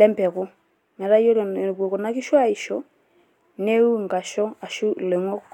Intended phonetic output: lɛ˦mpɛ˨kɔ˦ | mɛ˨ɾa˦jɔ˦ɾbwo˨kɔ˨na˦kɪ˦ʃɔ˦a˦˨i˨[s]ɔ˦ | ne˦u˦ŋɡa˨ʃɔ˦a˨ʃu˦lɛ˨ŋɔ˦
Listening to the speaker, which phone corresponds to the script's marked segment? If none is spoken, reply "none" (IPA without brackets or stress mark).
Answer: ʃ